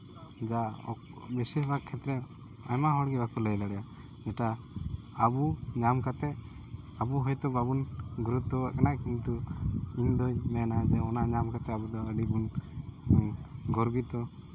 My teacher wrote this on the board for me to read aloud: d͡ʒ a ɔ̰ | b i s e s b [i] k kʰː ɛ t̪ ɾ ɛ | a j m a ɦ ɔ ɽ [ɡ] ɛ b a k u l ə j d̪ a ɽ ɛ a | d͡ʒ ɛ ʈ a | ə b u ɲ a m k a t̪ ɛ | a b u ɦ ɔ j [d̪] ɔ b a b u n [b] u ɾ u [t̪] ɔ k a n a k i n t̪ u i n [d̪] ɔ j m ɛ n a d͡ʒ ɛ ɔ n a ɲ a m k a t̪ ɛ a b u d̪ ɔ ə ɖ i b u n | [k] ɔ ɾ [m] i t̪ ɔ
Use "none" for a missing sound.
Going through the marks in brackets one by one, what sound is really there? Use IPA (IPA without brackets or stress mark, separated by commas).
a, ɡ, t̪, ɡ, t̪, d̪, ɡ, b